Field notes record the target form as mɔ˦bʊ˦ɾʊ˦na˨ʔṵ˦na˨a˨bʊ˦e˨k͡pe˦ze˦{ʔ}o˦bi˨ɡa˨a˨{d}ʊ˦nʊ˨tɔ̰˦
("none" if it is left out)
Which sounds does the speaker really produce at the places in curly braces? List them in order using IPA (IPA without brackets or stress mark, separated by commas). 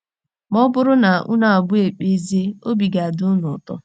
none, d